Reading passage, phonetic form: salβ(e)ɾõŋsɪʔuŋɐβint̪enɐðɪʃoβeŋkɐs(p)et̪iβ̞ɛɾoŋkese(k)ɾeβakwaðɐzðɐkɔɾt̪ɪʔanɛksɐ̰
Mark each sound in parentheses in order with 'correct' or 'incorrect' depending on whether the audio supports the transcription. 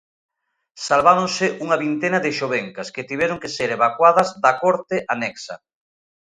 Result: incorrect: a, incorrect: k, incorrect: none

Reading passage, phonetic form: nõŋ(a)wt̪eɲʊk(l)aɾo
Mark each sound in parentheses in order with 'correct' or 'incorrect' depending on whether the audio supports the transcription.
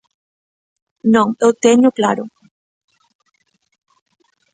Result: incorrect: e, correct

